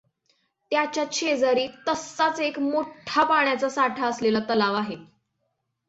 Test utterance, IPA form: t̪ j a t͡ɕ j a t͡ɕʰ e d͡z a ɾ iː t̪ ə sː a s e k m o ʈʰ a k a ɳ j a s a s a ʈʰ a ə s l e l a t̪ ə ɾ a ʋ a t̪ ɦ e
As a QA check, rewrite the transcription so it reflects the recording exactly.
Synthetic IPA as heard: t̪ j a t͡ɕ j a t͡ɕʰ e d͡z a ɾ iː t̪ ə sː a t͡s e k m o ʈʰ a p a ɳ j a t͡s a s a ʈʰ a ə s l e l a t̪ ə l a ʋ a ɦ e

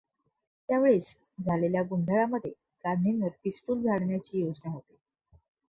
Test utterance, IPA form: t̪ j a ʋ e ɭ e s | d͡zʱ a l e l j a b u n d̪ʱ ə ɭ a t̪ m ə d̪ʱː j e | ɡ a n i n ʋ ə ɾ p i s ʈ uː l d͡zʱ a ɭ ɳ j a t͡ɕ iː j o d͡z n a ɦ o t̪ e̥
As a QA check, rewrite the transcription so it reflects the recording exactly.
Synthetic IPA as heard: t̪ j a ʋ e ɭ e s | d͡zʱ a l e l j a ɡ u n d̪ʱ ə ɭ a m ə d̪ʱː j e | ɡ a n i n ʋ ə ɾ p i s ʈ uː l d͡zʱ a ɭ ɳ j a t͡ɕ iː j o d͡z n a ɦ o t̪ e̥

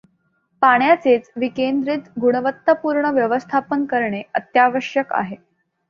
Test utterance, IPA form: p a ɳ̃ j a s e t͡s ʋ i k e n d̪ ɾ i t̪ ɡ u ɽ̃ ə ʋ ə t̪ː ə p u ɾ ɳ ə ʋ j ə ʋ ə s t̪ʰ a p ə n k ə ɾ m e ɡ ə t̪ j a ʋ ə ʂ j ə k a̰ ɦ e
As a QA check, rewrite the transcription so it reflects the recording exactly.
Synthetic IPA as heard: p a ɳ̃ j a t͡s e t͡s ʋ i k e n d̪ ɾ i t̪ ɡ u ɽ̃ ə ʋ ə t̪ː ə p u ɾ ɳ ə ʋ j ə ʋ ə s t̪ʰ a p ə n k ə ɾ ɳ e ə t̪ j a ʋ ə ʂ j ə k a̰ ɦ e

